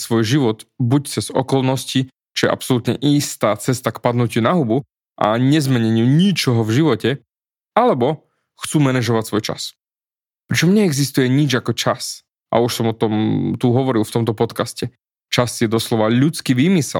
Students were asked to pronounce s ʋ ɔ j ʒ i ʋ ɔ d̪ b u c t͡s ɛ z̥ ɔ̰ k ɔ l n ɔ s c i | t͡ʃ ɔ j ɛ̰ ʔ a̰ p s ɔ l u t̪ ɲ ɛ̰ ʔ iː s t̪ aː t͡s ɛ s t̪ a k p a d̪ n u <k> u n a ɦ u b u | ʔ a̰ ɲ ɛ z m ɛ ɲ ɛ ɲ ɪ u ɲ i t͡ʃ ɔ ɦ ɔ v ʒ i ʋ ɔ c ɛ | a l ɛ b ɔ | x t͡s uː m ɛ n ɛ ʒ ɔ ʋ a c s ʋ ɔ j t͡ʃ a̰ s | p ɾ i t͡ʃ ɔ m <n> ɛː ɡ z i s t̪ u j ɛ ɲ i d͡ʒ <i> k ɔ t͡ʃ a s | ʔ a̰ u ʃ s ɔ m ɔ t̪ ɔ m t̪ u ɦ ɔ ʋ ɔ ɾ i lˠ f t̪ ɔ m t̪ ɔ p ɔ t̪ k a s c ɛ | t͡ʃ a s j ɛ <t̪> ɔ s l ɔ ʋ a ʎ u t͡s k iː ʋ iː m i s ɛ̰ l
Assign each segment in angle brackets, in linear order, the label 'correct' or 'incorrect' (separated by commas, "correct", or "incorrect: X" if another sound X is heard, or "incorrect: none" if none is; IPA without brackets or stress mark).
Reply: incorrect: c, incorrect: ɲ, incorrect: a, incorrect: d̪